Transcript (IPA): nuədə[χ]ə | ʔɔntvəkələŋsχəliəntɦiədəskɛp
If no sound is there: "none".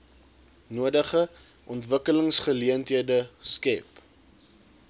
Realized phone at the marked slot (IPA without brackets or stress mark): χ